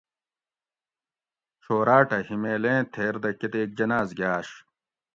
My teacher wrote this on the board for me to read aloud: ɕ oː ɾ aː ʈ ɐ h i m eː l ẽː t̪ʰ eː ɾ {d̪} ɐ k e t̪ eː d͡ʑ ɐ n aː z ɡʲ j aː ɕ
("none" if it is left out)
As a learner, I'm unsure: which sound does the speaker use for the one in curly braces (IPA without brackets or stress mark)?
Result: d̪